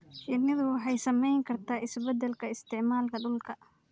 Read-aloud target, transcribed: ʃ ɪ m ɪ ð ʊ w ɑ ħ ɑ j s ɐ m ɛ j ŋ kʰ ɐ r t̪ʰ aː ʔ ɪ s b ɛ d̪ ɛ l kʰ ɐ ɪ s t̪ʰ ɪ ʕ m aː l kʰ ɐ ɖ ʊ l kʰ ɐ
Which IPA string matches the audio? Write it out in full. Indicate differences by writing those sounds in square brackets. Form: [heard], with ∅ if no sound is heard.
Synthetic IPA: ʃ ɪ [n] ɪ ð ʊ w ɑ ħ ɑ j s ɐ m ɛ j ŋ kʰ ɐ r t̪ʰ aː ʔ ɪ s b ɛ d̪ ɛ l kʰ ɐ ɪ s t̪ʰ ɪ ʕ m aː l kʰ ɐ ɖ ʊ l kʰ ɐ